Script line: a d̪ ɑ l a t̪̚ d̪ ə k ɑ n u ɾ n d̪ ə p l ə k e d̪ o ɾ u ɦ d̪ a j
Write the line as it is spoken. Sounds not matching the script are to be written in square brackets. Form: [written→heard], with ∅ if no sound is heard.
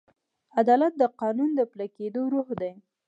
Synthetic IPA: a d̪ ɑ l a t̪̚ d̪ ə [k→q] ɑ n u [ɾ→∅] n d̪ ə p l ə k e d̪ o ɾ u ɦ d̪ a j